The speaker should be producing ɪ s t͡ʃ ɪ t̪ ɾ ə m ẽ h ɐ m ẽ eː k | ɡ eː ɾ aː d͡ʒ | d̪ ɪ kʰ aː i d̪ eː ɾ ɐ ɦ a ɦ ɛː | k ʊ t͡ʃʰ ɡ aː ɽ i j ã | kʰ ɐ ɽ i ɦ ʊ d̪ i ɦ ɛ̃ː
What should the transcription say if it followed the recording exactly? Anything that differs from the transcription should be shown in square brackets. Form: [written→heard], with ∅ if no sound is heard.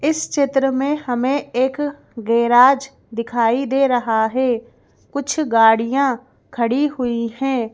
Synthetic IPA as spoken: ɪ s t͡ʃ ɪ t̪ ɾ ə m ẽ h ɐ m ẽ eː k | ɡ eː ɾ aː d͡ʒ | d̪ ɪ kʰ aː i d̪ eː ɾ ɐ ɦ a ɦ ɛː | k ʊ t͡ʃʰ ɡ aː ɽ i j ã | kʰ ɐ ɽ i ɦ ʊ [d̪→∅] i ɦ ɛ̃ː